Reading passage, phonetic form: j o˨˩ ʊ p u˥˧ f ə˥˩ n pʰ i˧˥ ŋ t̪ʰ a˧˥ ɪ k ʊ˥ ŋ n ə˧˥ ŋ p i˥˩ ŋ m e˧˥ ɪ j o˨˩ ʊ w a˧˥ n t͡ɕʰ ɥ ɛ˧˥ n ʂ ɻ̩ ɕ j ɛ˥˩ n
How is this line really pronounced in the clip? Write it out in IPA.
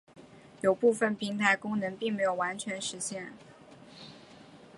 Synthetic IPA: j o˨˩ ʊ p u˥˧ f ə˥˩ n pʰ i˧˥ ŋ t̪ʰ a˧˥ ɪ k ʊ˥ ŋ n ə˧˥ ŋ p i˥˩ ŋ m e˧˥ ɪ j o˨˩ ʊ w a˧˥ n t͡ɕʰ ɥ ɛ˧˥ n ʂ ɻ̩ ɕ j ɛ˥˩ n